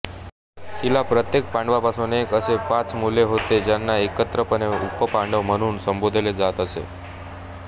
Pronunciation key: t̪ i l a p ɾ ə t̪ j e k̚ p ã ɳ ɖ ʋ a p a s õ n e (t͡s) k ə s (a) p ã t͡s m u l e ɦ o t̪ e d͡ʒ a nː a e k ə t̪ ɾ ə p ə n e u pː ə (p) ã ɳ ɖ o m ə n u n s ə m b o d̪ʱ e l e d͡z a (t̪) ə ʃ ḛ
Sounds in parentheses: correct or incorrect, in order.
incorrect: none, incorrect: e, correct, correct

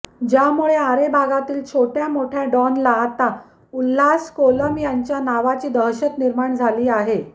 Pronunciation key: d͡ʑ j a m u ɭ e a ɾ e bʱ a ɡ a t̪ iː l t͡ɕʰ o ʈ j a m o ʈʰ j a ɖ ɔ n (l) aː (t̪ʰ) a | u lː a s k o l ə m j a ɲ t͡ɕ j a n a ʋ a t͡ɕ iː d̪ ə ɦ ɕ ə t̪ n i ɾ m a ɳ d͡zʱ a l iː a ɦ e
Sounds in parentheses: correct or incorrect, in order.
correct, incorrect: t̪

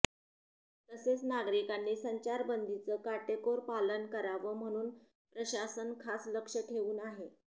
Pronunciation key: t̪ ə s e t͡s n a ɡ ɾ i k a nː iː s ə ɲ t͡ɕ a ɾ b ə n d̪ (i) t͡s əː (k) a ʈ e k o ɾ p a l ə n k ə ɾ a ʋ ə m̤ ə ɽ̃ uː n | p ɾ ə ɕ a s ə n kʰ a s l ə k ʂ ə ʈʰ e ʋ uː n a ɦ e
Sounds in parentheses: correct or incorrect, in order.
correct, correct

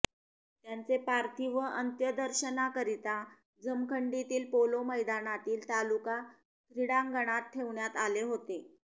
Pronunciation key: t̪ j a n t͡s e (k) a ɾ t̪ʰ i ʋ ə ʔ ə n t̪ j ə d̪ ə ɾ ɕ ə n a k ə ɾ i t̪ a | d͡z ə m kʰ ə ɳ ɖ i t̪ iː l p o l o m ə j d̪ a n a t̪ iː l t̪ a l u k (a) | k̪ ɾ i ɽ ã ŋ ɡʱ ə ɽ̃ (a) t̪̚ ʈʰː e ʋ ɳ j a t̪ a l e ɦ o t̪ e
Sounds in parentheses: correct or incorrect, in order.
incorrect: p, correct, correct

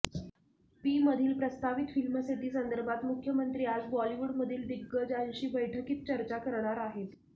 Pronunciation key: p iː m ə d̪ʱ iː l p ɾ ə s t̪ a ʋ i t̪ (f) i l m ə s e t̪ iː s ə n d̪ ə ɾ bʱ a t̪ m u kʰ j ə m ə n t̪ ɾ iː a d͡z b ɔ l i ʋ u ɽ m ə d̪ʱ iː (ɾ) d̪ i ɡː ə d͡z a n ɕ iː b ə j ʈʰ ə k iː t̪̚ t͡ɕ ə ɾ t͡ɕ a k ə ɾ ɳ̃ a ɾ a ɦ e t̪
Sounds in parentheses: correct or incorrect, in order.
correct, incorrect: l

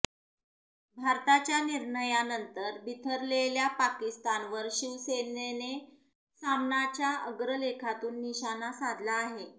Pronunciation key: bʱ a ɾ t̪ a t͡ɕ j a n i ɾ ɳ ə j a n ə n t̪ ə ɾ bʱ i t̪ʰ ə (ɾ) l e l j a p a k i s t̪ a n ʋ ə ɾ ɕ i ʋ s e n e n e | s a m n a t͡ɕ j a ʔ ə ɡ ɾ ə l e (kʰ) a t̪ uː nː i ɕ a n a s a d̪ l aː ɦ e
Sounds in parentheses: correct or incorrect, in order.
correct, correct

